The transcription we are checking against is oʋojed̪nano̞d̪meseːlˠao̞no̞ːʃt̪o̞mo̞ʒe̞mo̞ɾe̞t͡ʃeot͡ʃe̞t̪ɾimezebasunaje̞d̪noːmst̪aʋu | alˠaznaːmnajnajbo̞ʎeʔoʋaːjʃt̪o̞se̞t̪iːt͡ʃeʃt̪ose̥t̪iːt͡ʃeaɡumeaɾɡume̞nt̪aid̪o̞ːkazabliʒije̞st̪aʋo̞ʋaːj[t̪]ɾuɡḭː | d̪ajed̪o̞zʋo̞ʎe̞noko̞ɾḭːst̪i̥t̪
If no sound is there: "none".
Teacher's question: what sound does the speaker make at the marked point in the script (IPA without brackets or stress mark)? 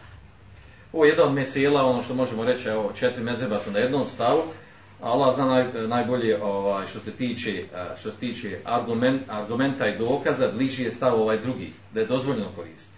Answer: d̪